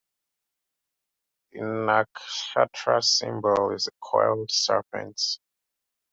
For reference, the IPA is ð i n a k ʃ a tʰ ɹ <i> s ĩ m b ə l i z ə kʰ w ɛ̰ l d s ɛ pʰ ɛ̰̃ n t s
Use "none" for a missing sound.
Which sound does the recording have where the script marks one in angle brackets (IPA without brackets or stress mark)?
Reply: a